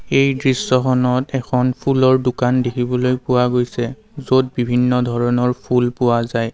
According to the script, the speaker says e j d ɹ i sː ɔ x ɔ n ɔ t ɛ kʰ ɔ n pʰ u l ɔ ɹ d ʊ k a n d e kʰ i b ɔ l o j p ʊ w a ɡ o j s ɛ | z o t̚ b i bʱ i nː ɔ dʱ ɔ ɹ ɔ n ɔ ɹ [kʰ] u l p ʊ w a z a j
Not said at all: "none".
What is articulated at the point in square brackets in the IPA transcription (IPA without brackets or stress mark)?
pʰ